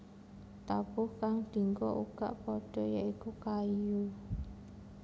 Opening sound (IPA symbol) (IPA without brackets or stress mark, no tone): t̪